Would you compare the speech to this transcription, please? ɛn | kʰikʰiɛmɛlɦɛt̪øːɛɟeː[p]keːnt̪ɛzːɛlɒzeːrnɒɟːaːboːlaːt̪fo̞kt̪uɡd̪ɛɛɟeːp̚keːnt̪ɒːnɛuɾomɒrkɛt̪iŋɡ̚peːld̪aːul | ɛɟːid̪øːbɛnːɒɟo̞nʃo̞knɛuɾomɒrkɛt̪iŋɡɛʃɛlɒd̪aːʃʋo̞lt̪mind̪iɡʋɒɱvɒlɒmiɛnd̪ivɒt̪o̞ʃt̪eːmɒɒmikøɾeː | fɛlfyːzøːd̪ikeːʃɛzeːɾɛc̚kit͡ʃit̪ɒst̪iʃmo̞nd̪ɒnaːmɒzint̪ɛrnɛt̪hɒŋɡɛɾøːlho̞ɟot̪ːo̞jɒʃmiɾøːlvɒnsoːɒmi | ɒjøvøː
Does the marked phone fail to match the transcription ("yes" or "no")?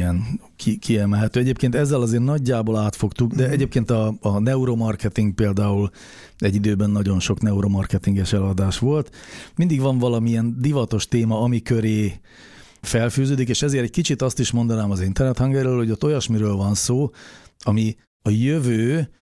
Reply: no